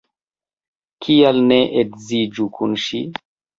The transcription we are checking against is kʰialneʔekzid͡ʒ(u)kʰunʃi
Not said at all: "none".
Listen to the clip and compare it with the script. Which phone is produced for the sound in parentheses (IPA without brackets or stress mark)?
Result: u